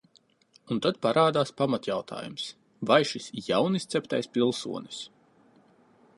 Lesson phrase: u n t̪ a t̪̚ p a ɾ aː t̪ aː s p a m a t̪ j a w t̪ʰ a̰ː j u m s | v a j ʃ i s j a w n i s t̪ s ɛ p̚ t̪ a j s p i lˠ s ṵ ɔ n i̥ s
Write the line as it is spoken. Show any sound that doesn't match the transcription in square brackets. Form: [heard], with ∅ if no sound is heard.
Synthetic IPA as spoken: u n t̪ a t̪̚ p a ɾ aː [d̪] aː s p a m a t̪ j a w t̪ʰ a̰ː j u m s | v a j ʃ i s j a w n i s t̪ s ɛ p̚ t̪ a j s p i lˠ s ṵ ɔ n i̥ s